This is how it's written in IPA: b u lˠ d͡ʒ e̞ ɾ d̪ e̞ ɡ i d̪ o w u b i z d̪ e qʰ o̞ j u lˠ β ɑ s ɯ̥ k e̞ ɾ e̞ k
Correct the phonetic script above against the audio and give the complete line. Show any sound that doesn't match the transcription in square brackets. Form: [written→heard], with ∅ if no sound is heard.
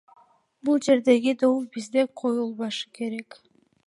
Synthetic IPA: b u lˠ d͡ʒ e̞ ɾ d̪ e̞ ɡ i d̪ o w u b i z d̪ e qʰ o̞ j u lˠ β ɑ [s→ʃ] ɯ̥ k e̞ ɾ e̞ k